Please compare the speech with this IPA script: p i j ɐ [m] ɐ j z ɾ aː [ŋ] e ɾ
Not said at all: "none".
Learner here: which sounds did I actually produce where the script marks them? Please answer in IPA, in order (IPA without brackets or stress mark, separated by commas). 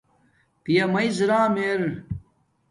m, m